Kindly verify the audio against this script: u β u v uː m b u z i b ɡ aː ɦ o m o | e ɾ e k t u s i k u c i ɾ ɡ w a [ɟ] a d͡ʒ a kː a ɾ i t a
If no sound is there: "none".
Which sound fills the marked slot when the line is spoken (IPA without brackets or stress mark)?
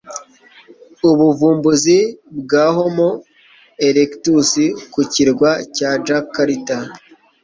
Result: c